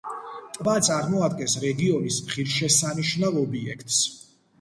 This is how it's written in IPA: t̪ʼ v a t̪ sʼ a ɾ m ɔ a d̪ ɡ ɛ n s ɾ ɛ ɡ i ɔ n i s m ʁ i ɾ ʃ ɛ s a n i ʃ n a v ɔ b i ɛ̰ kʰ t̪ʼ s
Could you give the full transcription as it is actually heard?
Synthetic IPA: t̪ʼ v a t̪ sʼ a ɾ m ɔ a d̪ ɡ ɛ n s ɾ ɛ ɡ i ɔ n i s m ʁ i ɾ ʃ ɛ s a n i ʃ n a v ɔ b i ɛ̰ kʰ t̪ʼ s